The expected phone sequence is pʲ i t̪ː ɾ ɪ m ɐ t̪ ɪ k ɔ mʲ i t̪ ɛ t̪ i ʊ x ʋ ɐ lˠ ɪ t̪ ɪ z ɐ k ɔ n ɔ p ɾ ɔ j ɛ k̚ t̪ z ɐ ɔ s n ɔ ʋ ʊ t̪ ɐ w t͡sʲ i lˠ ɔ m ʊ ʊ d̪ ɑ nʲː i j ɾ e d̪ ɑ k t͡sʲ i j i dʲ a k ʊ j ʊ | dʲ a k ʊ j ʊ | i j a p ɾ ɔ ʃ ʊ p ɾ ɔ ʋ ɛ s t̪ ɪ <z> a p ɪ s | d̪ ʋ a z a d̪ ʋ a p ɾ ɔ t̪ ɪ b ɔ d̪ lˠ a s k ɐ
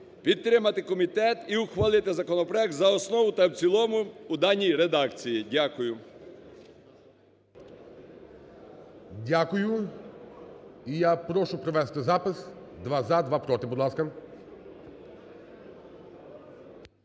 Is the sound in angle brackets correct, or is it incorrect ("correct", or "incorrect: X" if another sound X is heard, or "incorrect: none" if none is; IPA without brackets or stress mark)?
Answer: correct